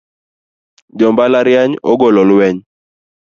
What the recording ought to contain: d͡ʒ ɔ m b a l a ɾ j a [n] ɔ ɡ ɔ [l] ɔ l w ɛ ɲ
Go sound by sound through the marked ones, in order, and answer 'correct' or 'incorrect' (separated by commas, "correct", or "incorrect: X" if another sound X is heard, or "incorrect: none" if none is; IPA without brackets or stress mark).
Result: incorrect: ɲ, correct